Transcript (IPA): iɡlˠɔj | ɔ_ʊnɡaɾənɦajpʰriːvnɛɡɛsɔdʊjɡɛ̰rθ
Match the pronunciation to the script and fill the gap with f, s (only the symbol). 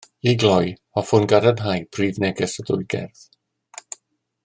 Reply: f